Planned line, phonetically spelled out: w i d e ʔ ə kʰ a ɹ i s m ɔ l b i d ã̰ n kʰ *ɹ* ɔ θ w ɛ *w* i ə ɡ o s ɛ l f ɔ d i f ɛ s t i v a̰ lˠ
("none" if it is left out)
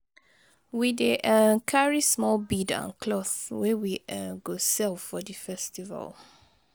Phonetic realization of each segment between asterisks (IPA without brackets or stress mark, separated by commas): l, w